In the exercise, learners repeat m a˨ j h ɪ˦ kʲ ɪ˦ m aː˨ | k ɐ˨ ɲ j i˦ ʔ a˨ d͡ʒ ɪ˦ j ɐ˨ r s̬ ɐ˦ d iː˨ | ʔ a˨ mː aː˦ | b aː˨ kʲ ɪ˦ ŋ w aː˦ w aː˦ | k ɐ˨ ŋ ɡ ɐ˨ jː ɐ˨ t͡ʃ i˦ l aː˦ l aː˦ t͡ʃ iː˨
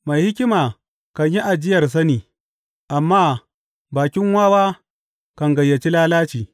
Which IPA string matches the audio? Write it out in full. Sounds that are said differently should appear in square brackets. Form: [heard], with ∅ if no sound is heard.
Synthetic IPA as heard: m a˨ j h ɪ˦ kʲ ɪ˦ m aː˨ | k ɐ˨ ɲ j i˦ ʔ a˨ d͡ʒ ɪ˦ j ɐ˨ r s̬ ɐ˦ [n] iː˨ | ʔ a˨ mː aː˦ | b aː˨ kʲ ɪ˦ ŋ w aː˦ w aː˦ | k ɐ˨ ŋ ɡ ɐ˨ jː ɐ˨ t͡ʃ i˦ l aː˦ l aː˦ t͡ʃ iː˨